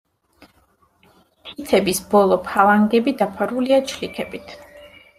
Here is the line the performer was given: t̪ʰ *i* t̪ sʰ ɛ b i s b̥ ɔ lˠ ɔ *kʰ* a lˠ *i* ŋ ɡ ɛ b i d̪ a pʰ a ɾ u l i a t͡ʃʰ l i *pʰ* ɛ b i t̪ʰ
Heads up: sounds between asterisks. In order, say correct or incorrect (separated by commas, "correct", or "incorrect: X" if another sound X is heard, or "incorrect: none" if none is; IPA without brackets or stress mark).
correct, incorrect: pʰ, incorrect: a, incorrect: kʰ